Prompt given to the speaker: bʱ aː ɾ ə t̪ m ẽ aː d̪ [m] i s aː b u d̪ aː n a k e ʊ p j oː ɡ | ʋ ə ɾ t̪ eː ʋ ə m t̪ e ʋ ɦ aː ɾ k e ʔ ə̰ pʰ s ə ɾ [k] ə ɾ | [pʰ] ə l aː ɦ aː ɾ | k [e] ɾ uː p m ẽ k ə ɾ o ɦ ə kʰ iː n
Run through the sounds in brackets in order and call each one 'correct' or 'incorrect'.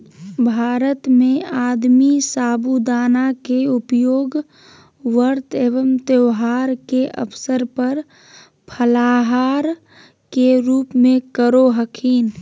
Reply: correct, incorrect: p, correct, correct

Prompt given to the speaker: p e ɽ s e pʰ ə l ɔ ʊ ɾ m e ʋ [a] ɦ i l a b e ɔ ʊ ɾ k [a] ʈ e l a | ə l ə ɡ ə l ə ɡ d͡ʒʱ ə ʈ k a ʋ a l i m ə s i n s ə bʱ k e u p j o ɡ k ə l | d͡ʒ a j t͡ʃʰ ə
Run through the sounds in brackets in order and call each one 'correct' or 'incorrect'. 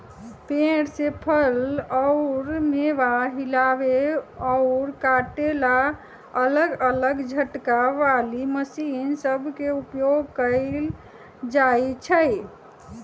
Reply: correct, correct

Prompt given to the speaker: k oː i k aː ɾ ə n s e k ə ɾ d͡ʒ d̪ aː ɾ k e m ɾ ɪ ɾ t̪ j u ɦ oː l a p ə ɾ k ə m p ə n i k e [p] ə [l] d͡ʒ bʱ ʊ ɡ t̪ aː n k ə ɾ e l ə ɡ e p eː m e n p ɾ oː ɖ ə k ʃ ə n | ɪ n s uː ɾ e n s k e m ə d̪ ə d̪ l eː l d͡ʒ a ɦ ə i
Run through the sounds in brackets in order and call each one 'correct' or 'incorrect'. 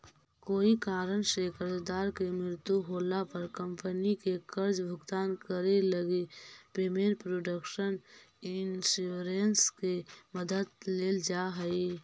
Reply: incorrect: k, incorrect: ɾ

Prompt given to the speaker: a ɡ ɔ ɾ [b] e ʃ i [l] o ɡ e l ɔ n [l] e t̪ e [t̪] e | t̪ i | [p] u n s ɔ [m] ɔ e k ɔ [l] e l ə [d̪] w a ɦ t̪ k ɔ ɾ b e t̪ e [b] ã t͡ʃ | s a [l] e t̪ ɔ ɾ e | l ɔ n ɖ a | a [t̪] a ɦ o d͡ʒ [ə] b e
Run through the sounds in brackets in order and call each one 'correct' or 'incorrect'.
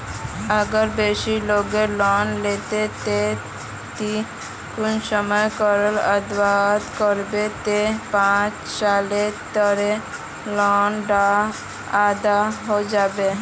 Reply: correct, correct, correct, correct, incorrect: k, correct, incorrect: ɾ, correct, incorrect: p, correct, incorrect: d̪, incorrect: a

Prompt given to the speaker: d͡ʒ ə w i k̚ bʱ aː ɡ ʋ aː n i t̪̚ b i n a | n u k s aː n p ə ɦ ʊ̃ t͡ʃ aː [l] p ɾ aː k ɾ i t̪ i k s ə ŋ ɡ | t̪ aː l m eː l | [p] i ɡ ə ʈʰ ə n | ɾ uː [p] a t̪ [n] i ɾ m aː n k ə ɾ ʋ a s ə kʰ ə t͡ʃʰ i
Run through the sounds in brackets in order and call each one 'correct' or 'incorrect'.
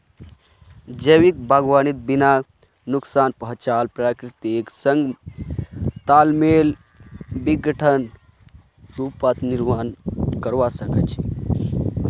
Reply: correct, incorrect: b, correct, correct

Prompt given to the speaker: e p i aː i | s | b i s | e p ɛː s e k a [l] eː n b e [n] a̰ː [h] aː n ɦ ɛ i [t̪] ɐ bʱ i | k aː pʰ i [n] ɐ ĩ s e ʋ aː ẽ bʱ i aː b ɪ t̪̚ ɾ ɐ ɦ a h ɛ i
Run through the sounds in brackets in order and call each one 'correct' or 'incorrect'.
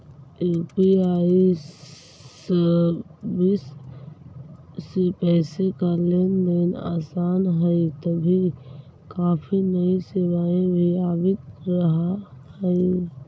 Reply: correct, correct, incorrect: s, correct, correct

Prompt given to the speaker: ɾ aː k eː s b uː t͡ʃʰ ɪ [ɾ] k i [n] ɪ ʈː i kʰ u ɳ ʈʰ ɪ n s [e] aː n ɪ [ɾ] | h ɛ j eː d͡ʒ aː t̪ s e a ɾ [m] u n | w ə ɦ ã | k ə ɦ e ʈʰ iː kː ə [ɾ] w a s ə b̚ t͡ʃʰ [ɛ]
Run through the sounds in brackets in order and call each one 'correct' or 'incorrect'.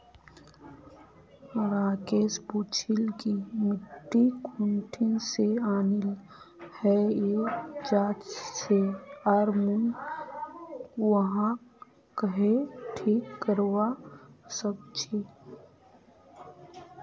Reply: incorrect: l, incorrect: m, correct, incorrect: l, correct, correct, incorrect: i

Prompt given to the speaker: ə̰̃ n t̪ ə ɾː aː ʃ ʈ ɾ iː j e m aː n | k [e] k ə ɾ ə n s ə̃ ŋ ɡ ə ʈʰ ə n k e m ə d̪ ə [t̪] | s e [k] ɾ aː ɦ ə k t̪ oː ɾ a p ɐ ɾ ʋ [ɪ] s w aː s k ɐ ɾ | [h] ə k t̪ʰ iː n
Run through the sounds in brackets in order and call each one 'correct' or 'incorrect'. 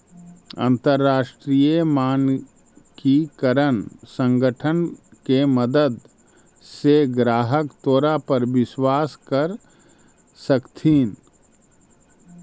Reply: incorrect: i, incorrect: d̪, incorrect: ɡ, correct, incorrect: s

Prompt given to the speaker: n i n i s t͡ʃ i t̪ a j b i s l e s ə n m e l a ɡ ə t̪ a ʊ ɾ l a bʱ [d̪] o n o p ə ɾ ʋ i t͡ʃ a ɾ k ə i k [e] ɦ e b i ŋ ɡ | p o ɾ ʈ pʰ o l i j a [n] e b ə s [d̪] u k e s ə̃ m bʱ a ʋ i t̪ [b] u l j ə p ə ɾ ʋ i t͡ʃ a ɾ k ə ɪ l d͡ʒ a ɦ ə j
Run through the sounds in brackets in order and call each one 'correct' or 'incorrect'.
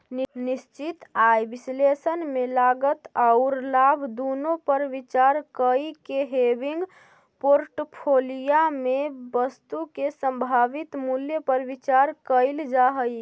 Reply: correct, correct, incorrect: m, incorrect: t̪, incorrect: m

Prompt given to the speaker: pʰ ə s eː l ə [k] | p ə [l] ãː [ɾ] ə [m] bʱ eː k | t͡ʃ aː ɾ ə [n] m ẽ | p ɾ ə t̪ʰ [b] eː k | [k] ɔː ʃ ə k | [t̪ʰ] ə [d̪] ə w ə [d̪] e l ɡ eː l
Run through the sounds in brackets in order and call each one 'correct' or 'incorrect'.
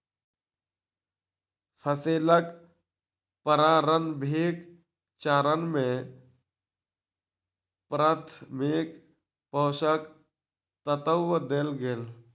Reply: correct, incorrect: ɾ, correct, incorrect: n, correct, incorrect: m, incorrect: p, incorrect: t̪, incorrect: t̪, correct

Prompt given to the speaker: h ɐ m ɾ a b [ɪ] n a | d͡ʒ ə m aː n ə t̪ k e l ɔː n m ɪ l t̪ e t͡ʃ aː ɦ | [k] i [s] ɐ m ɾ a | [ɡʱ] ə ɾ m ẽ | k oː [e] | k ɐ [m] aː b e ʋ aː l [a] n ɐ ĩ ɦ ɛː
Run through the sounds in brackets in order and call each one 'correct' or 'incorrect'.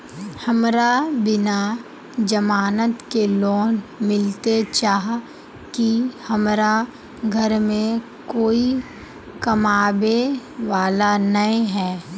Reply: correct, correct, incorrect: h, correct, incorrect: i, correct, correct

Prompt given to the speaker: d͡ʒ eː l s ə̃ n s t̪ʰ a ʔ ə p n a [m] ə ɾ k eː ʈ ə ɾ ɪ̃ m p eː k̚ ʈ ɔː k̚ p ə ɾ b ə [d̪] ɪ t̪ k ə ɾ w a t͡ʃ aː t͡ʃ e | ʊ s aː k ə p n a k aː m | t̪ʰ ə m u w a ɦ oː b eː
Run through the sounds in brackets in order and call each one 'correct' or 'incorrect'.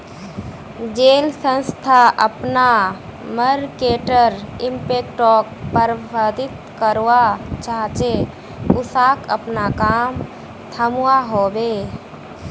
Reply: correct, correct

